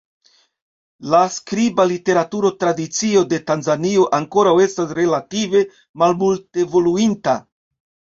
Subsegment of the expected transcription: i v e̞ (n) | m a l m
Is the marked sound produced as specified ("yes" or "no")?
no